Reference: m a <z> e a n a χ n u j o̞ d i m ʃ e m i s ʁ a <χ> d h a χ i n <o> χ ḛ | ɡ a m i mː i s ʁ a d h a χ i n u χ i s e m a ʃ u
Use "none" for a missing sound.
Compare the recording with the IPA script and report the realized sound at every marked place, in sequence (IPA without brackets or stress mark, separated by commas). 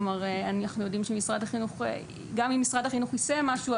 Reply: ʁ, none, u